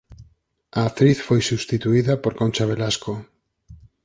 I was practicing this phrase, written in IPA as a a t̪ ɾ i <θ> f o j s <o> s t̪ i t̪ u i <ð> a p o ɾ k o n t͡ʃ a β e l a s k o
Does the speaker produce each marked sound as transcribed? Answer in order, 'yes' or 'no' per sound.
yes, no, yes

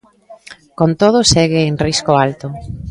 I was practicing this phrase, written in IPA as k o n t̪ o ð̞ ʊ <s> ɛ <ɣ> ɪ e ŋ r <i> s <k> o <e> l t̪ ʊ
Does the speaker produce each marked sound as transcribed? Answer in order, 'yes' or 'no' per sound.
yes, yes, yes, yes, no

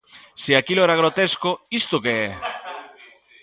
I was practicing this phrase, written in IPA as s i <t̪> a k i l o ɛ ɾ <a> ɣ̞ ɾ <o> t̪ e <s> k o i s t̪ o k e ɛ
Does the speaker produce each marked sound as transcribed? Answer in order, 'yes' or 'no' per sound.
no, yes, yes, yes

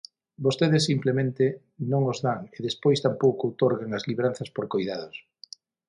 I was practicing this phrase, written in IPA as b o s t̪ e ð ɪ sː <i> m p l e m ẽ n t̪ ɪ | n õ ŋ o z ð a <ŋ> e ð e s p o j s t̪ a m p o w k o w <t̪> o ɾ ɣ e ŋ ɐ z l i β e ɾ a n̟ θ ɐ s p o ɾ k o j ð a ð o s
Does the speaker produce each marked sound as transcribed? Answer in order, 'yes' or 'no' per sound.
yes, yes, yes

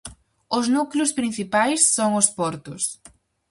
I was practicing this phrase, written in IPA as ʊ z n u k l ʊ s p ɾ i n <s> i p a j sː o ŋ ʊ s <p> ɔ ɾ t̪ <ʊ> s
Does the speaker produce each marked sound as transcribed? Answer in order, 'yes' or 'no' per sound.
no, yes, yes

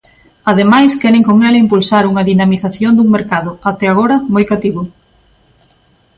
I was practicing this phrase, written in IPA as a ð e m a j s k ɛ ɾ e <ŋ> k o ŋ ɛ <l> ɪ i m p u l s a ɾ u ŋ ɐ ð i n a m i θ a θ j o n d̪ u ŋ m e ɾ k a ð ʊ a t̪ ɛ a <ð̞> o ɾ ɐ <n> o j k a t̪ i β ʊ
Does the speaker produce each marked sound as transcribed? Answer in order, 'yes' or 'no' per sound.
yes, yes, no, no

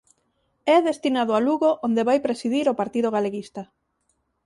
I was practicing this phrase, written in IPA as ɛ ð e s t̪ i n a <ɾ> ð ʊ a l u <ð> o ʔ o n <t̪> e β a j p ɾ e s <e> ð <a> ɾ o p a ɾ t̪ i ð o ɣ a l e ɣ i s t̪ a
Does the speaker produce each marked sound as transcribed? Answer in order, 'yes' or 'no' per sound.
no, no, no, no, no

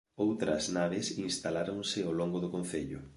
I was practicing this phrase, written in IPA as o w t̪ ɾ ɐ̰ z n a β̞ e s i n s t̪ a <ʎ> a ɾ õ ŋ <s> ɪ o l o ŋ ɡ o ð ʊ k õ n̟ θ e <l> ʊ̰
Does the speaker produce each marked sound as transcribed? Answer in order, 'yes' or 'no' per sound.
no, yes, no

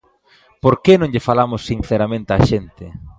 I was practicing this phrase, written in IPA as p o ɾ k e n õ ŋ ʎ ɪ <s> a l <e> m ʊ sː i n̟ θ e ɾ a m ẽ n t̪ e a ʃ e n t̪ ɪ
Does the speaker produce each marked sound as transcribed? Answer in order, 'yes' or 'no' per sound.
no, no

